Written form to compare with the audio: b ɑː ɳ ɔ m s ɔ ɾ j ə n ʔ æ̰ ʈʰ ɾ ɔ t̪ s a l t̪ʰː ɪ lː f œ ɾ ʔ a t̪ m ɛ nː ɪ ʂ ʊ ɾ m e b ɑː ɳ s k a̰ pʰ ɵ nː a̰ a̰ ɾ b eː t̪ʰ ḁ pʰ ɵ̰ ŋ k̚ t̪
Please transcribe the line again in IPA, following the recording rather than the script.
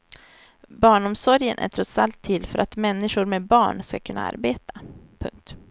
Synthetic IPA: b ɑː ɳ ɔ m s ɔ ɾ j ə n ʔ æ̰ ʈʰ ɾ ɔ t̪ s a l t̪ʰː ɪ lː f œ ɾ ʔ a t̪ m ɛ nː ɪ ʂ ʊ ɾ m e b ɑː ɳ s k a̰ kʰ ɵ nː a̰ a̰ ɾ b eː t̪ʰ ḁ pʰ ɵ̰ ŋ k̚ t̪